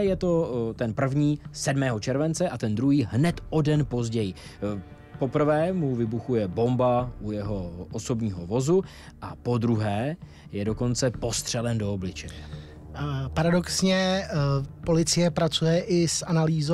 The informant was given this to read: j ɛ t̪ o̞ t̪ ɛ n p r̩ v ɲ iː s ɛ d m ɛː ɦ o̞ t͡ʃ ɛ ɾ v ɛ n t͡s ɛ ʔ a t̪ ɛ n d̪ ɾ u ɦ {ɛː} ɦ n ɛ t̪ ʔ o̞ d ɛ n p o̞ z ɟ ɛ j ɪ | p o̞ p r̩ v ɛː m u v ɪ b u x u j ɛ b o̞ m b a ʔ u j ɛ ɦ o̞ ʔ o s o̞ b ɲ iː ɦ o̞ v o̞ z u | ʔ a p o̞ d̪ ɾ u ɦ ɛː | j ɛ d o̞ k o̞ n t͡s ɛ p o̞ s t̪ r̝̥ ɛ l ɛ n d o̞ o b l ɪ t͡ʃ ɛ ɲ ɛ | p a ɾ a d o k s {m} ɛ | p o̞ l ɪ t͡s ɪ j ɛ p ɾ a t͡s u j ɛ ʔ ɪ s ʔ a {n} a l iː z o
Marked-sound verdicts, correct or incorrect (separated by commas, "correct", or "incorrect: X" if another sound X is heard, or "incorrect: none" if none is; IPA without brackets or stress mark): incorrect: iː, incorrect: ɲ, correct